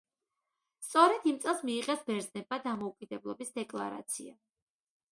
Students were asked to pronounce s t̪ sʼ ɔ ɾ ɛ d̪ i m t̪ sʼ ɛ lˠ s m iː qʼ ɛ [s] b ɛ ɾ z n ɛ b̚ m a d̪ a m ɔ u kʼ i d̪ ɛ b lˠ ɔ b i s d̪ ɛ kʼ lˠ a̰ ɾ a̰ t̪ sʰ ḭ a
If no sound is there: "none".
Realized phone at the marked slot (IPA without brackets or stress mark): s